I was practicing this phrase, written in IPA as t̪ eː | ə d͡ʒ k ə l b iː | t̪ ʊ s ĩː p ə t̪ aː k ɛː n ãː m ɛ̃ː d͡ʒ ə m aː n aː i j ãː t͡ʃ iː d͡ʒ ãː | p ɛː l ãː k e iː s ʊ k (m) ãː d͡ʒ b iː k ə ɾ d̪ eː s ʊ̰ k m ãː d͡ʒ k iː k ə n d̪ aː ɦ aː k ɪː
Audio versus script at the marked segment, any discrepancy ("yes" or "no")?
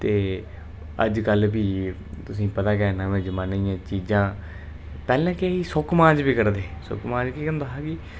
no